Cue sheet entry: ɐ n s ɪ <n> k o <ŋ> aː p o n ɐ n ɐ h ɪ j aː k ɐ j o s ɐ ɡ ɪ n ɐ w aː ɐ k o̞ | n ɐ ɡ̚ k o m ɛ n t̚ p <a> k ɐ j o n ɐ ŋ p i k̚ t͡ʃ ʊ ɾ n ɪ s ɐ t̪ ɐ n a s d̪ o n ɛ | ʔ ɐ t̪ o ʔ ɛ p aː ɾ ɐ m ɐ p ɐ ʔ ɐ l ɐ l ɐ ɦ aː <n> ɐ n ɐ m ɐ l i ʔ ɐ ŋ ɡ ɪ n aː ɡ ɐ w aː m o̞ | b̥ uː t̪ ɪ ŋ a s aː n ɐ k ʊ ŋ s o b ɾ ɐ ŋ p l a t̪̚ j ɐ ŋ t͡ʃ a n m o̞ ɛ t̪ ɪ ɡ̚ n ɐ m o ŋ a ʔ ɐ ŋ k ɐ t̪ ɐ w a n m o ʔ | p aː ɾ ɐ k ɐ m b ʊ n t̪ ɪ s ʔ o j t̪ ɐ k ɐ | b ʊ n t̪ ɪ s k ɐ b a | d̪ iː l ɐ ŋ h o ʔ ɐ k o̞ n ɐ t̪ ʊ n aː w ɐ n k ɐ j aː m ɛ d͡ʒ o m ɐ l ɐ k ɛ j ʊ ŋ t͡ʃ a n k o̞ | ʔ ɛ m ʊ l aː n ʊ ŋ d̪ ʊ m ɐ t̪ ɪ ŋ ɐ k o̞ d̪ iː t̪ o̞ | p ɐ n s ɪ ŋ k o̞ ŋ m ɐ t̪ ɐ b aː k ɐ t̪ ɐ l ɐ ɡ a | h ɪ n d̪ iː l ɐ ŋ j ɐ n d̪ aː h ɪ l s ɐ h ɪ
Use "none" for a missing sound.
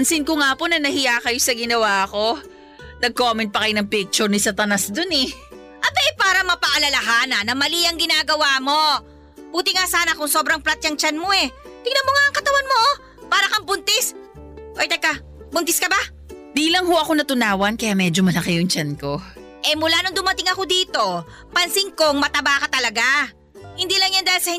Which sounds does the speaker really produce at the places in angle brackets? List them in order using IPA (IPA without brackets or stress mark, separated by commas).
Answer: n, ŋ, ɐ, n